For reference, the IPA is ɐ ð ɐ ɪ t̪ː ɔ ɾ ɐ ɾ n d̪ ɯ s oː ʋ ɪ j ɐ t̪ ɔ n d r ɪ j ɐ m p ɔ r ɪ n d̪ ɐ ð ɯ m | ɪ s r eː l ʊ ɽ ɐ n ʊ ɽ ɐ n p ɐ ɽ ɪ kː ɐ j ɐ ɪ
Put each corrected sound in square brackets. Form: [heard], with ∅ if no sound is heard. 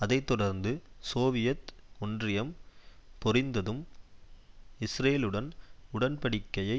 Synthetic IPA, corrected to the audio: ɐ ð ɐ ɪ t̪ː ɔ [ɽ] ɐ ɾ n d̪ ɯ s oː ʋ ɪ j ɐ t̪ ɔ n d r ɪ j ɐ m p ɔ r ɪ n d̪ ɐ ð ɯ m | ɪ s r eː l [ɯ] ɽ ɐ n ʊ ɽ ɐ n p ɐ ɽ ɪ kː ɐ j ɐ ɪ